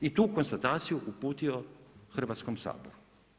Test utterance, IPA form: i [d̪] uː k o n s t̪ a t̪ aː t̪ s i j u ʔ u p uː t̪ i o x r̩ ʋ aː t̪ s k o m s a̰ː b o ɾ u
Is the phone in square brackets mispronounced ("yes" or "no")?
yes